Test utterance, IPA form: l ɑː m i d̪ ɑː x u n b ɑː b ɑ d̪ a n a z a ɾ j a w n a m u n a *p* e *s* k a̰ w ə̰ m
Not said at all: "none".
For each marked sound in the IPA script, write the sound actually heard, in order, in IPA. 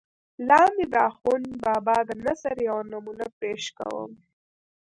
p, ʃ

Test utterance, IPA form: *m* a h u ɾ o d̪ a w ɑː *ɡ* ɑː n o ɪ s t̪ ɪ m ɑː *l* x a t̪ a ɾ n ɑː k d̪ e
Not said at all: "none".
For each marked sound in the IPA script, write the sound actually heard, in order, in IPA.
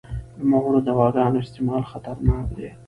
m, ɡ, l

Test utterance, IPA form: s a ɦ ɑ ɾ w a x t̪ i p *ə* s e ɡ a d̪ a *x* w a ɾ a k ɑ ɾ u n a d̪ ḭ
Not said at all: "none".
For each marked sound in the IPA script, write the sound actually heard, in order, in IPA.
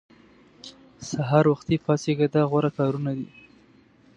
ɑ, ɣ

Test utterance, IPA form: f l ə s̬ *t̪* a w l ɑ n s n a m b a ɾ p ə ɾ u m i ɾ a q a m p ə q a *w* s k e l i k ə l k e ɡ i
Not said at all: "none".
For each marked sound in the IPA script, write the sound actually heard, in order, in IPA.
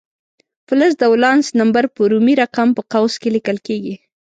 d̪, w

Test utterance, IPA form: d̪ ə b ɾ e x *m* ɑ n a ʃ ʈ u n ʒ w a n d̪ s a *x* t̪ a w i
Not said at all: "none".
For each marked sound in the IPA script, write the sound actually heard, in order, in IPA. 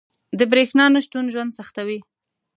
n, x

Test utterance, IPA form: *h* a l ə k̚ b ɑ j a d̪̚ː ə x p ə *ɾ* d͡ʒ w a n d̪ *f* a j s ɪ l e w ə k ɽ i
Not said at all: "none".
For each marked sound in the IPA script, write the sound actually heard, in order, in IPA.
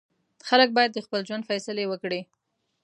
x, l, f

